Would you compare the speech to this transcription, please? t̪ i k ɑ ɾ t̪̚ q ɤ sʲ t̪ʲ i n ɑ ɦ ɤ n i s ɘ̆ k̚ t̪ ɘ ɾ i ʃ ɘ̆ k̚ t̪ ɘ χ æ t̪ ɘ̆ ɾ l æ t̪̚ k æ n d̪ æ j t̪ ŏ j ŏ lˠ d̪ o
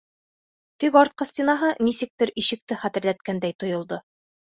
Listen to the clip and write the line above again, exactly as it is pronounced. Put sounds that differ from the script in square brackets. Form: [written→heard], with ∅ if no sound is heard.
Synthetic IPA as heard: t̪ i k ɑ ɾ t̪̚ q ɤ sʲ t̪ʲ i n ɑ ɦ ɤ n i s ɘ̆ k̚ t̪ ɘ ɾ i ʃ ɘ̆ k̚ t̪ ɘ χ æ t̪ ɘ̆ ɾ l æ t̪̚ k æ n d̪ æ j t̪ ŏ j ŏ lˠ d̪ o